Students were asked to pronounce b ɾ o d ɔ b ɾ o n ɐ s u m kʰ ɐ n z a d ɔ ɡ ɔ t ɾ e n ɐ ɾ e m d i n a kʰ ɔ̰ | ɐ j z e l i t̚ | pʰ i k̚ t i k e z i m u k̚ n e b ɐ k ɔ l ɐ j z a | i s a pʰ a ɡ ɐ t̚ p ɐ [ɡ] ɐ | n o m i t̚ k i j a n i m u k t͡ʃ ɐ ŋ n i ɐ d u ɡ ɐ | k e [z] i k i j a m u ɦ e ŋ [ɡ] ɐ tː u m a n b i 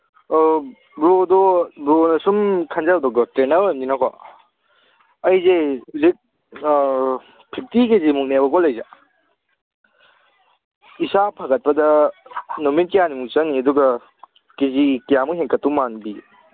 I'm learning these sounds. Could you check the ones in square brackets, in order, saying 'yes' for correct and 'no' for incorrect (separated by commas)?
no, yes, no